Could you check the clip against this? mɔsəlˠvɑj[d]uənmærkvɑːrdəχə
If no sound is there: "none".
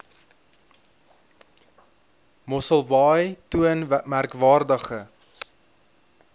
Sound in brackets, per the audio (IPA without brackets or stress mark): t